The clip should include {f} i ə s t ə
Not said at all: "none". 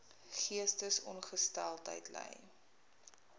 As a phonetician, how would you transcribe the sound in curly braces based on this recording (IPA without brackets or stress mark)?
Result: χ